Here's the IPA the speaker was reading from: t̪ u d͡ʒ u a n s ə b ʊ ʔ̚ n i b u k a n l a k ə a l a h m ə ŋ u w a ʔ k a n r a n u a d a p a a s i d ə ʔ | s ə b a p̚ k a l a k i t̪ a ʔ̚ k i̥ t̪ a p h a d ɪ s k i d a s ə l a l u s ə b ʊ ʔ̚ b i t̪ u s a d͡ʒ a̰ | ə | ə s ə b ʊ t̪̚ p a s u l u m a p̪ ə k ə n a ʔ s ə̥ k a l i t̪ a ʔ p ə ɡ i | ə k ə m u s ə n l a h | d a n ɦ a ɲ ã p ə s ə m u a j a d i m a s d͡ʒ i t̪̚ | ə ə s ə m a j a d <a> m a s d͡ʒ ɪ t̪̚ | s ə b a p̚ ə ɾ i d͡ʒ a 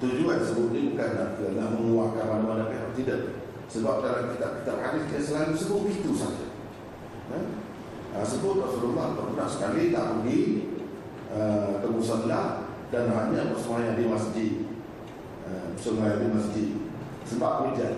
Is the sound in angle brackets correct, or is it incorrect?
incorrect